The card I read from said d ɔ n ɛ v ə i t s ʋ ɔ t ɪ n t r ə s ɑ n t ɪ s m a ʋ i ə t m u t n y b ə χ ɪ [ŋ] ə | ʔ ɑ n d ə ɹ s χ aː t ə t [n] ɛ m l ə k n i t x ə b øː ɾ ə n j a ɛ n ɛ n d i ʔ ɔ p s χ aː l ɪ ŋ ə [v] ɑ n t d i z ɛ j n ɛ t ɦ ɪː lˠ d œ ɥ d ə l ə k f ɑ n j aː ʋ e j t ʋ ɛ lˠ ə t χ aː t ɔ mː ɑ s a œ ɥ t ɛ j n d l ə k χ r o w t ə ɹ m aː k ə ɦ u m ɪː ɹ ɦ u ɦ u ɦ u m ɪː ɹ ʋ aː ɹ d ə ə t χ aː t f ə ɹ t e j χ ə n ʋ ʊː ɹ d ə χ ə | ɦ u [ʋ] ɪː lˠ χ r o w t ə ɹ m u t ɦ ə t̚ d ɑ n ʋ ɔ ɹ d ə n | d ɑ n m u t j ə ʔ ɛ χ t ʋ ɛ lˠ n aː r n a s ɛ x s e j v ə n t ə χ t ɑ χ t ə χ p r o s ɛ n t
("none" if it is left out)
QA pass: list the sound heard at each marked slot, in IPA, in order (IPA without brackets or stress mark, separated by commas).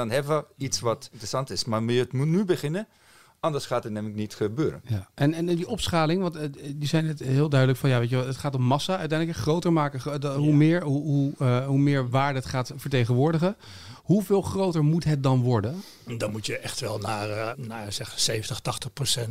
n, n, ʋ, v